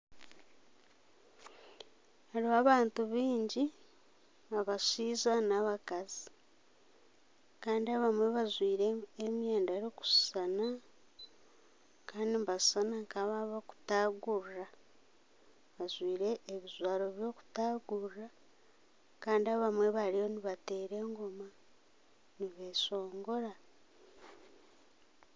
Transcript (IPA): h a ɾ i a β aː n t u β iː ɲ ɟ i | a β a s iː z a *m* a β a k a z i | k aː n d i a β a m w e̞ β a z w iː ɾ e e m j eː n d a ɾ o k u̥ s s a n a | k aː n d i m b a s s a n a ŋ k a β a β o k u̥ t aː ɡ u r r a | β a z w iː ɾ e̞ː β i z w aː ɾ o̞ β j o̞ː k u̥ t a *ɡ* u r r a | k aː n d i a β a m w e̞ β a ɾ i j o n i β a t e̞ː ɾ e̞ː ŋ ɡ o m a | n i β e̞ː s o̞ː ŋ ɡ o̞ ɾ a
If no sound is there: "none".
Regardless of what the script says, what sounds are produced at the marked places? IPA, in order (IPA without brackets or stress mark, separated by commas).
n, ɡ